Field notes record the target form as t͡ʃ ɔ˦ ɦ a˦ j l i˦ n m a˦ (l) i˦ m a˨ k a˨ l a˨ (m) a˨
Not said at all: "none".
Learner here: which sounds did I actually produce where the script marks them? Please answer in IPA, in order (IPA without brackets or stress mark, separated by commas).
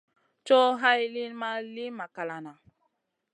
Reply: l, n